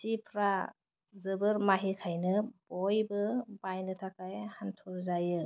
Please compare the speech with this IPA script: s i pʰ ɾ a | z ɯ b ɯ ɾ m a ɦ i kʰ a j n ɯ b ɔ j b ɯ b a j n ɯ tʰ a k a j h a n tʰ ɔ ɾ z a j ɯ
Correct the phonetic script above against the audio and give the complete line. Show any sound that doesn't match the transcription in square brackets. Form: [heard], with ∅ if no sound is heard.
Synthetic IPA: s i pʰ ɾ a | z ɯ b ɯ ɾ m a ɦ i kʰ a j n ɯ b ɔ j b ɯ b a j n ɯ tʰ a k a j h a n tʰ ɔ ɾ z a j ɯ